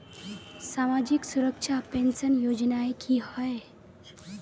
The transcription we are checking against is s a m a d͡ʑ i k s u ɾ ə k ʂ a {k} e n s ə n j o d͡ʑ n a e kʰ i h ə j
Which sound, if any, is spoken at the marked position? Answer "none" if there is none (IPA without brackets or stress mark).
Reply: p